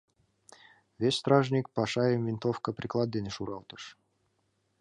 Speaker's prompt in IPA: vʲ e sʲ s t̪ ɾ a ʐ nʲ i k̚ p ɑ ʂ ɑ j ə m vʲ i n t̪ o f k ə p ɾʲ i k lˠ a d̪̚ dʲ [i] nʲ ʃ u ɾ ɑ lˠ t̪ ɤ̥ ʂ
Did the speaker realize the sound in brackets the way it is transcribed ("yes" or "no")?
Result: no